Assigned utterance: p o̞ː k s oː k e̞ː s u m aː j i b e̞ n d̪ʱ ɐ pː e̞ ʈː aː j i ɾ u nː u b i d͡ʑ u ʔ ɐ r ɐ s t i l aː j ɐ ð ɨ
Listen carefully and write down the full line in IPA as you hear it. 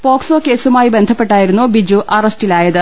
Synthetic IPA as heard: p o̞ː k s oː k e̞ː s u m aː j i b e̞ n d̪ʱ ɐ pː e̞ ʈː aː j i ɾ u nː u b i d͡ʑ u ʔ ɐ r ɐ s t i l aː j ɐ ð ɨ